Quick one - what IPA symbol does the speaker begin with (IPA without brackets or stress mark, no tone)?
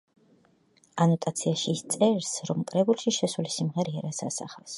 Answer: a